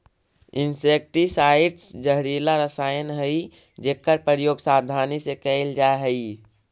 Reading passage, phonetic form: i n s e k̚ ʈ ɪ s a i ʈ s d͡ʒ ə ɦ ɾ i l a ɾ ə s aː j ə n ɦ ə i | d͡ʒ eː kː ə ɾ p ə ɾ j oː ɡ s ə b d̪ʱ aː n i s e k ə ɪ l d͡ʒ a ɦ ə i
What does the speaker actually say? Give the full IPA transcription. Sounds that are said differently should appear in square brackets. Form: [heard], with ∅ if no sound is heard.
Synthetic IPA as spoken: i n s e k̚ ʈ [i] s a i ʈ s d͡ʒ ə ɦ ɾ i l a ɾ ə s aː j ə n ɦ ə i | d͡ʒ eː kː ə ɾ p ə ɾ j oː ɡ s [a] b d̪ʱ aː n i s e k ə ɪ l d͡ʒ a ɦ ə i